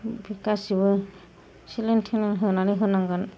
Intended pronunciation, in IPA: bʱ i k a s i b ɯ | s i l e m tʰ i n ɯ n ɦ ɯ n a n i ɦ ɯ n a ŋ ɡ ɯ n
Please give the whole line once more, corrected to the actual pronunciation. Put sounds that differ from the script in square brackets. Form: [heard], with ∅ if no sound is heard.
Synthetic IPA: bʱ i k a s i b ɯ | s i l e [n] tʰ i n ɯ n ɦ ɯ n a n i ɦ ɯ n a ŋ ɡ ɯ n